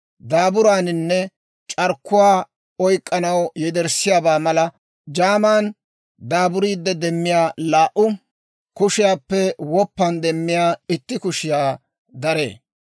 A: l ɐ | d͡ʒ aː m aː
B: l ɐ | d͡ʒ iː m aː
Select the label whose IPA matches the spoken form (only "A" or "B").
A